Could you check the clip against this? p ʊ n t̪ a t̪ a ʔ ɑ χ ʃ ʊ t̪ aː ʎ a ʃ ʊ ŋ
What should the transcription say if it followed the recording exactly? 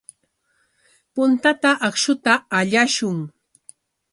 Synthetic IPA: p ʊ n t̪ a t̪ a ʔ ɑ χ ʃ ʊ t̪ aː ʎ a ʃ ʊ ŋ